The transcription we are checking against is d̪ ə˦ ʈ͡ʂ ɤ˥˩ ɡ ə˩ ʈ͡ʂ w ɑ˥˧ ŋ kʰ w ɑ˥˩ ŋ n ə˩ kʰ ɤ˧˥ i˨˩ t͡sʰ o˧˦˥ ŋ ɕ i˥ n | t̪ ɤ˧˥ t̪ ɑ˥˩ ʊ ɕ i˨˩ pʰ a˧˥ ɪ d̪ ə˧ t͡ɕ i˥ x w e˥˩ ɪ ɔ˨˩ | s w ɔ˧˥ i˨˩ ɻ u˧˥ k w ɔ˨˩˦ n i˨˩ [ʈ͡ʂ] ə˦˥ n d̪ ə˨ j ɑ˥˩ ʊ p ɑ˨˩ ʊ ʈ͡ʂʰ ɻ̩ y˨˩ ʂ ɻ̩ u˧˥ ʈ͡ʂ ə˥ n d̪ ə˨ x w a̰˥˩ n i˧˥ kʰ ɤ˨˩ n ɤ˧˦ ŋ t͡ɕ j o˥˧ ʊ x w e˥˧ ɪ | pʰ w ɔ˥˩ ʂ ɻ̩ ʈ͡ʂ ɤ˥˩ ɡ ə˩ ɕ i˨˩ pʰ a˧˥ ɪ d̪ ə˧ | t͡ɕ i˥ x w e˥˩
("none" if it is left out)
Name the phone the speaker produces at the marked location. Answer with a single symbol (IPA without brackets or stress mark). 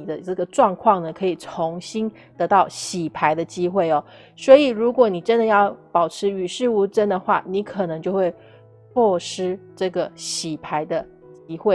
ʈ͡ʂ